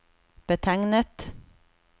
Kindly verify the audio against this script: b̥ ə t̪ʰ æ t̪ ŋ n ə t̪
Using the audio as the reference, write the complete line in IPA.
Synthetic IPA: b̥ ə t̪ʰ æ ŋ n ə t̪